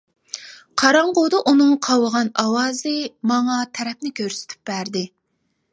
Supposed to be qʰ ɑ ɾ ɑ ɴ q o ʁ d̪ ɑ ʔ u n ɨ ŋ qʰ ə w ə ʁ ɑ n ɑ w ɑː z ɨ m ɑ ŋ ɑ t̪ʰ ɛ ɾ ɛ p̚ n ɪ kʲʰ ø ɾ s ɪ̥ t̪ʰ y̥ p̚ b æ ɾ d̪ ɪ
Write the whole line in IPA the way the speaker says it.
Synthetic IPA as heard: qʰ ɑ ɾ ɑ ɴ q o d̪ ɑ ʔ u n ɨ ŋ qʰ ɑ w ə ʁ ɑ n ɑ w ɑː z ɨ m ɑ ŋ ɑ t̪ʰ ɛ ɾ ɛ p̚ n ɪ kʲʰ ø ɾ s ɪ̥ t̪ʰ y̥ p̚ b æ ɾ d̪ ɪ

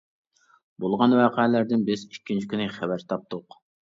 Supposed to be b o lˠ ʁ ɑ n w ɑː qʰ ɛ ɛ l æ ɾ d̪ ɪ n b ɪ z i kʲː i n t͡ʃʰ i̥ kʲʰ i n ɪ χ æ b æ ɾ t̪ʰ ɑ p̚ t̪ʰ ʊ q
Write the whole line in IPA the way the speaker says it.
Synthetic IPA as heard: b o lˠ ʁ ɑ n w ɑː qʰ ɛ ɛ l æ ɾ d̪ ɪ n b ɪ z i kʲː i n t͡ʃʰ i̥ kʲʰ y n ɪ χ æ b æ ɾ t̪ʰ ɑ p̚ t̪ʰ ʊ q

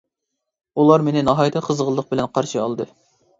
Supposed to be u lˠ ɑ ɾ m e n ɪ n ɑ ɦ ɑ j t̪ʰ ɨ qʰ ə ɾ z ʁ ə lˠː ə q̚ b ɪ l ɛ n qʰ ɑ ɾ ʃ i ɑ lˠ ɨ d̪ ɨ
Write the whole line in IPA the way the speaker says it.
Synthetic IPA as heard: u lˠ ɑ ɾ m e n ɪ n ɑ ɦ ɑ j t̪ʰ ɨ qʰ ə z ʁ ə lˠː ə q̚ b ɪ l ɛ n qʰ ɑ ɾ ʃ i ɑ lˠ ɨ d̪ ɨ

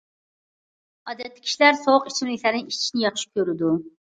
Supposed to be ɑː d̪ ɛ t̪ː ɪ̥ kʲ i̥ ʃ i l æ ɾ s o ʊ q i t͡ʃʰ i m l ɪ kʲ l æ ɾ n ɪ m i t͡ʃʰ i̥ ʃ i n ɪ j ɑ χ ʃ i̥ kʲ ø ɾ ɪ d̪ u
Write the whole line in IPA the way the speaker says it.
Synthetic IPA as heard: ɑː d̪ ɛ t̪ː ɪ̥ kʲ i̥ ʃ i l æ ɾ s o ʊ q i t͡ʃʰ i m l ɪ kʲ l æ ɾ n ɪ ŋ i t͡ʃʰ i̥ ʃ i n ɪ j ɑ χ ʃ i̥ kʲ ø ɾ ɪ d̪ u

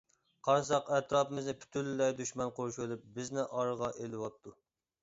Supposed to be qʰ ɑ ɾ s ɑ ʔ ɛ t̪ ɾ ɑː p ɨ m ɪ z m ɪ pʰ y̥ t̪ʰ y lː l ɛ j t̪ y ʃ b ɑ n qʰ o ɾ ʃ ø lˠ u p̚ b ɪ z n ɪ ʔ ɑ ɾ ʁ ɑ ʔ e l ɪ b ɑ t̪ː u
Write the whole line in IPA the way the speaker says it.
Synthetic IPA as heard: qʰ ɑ ɾ s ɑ q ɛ t̪ ɾ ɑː p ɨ m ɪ z n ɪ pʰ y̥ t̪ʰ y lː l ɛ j d̪ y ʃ m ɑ n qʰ o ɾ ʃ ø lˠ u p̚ b ɪ z n ɪ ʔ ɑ ɾ ʁ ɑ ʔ e l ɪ w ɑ t̪ː u

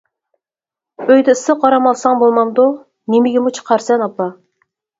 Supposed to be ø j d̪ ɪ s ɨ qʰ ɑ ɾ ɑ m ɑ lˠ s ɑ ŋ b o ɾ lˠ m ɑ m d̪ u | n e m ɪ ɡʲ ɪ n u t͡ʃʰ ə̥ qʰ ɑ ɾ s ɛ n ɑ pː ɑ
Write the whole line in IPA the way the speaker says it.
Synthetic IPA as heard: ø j d̪ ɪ s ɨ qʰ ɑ ɾ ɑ m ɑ lˠ s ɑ ŋ b o lˠ m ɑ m d̪ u | n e m ɪ ɡʲ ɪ m u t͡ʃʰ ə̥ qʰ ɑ ɾ s ɛ n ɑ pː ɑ

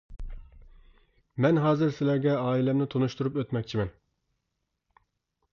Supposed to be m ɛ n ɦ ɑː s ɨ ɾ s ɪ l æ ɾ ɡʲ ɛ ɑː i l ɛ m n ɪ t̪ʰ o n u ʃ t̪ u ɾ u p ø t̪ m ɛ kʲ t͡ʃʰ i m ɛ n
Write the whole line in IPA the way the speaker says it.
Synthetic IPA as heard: m ɛ n ɦ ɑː z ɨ ɾ s ɪ l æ ɾ ɡʲ ɛ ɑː i l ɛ m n ɪ t̪ʰ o n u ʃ t̪ u ɾ u p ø t̪ m ɛ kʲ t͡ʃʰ i m ɛ n

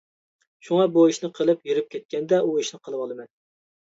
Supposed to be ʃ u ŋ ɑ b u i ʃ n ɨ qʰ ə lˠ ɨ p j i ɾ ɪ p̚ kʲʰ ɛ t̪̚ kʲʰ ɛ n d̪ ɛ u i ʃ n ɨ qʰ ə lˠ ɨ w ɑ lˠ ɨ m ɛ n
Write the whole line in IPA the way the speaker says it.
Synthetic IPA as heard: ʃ u ŋ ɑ b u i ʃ n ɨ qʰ ə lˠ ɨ p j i ɾ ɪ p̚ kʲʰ ɛ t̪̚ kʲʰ ɛ n d̪ ɛ u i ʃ n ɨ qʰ ə lˠ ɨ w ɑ lˠ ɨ m ɛ n

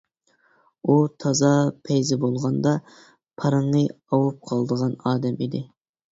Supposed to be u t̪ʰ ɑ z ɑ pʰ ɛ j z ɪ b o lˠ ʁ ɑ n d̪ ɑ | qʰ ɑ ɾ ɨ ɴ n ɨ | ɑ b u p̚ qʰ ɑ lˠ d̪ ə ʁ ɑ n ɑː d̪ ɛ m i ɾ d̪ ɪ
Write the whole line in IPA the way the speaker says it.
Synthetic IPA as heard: u t̪ʰ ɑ z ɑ pʰ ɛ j z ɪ b o lˠ ʁ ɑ n d̪ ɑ | pʰ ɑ ɾ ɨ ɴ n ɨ | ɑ w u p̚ qʰ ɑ lˠ d̪ ə ʁ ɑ n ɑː d̪ ɛ m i d̪ ɪ

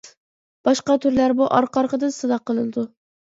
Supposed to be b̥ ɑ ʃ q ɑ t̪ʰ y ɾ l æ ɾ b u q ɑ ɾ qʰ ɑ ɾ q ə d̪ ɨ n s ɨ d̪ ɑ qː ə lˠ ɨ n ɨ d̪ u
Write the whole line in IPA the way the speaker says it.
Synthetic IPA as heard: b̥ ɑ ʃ q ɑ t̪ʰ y ɾ l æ ɾ b u ʔ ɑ ɾ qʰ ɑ ɾ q ə d̪ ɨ n s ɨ d̪ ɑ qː ə lˠ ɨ n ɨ d̪ u

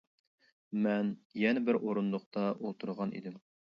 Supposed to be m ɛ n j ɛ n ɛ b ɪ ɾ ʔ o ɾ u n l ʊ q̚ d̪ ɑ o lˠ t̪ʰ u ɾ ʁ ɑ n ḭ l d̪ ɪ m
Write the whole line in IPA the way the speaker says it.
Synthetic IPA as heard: m ɛ n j ɛ n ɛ b ɪ ɾ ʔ o ɾ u n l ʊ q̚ t̪ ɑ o lˠ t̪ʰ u ɾ ʁ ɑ n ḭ d̪ ɪ m

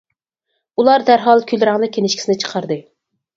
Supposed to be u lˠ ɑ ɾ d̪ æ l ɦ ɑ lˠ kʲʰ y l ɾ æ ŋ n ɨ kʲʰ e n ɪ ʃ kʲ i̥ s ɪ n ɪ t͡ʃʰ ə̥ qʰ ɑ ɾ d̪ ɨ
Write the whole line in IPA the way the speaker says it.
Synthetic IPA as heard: u lˠ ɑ ɾ d̪ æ ɾ ɦ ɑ lˠ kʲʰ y l ɾ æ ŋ n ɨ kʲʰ e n ɪ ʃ kʲ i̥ s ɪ n ɪ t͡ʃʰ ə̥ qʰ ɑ ɾ d̪ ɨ

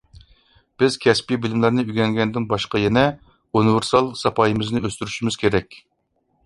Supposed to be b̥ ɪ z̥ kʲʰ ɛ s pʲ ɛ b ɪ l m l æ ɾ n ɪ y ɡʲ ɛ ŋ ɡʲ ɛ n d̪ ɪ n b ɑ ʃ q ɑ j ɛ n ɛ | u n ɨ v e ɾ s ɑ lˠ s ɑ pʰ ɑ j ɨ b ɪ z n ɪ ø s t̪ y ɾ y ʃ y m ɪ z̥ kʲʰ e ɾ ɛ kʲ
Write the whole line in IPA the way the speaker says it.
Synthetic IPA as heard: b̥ ɪ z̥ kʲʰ ɛ s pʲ i b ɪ l m l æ ɾ n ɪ y ɡʲ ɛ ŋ ɡʲ ɛ n d̪ ɪ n b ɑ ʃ q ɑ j ɛ n ɛ | u n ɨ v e ɾ s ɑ lˠ s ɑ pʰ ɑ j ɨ m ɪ z n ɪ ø s t̪ y ɾ y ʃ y m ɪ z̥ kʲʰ e ɾ ɛ kʲ

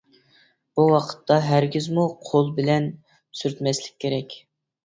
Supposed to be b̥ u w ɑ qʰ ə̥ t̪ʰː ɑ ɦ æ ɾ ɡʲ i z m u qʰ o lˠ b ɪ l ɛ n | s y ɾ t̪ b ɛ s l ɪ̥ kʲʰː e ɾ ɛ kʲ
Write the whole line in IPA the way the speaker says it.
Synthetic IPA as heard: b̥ u w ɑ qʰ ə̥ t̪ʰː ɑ ɦ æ ɾ ɡʲ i z m u qʰ o lˠ b ɪ l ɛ n | s y ɾ t̪ m ɛ s l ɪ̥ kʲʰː e ɾ ɛ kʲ

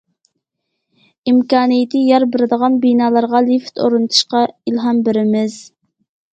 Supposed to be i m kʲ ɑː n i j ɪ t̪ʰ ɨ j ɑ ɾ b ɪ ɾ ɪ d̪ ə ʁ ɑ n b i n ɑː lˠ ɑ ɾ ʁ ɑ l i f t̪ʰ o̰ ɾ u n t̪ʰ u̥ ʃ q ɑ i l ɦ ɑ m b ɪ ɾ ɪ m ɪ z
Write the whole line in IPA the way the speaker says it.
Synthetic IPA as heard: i m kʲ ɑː n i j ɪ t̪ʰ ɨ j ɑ ɾ b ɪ ɾ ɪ d̪ ə ʁ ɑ n b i n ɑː lˠ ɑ ɾ ʁ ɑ l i f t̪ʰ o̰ ɾ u n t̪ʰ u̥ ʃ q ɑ i l ɦ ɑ m b ɪ ɾ ɪ m ɪ z

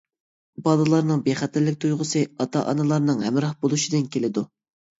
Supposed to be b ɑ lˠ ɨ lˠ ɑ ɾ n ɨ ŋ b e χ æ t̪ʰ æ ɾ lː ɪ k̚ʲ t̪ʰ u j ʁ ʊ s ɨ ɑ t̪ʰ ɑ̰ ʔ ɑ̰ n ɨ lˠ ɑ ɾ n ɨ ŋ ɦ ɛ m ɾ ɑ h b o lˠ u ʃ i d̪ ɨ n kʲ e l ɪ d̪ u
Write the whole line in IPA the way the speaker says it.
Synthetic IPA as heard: b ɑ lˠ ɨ lˠ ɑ ɾ n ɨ ŋ b e χ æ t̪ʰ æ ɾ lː ɪ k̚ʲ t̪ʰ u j ʁ ʊ s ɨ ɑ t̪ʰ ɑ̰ ʔ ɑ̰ n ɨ lˠ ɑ ɾ n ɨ ŋ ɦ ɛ m ɾ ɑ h b o lˠ u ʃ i d̪ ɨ n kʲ e l ɪ d̪ u

